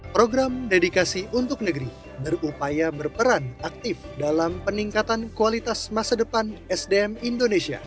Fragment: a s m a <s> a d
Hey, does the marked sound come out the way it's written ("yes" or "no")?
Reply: yes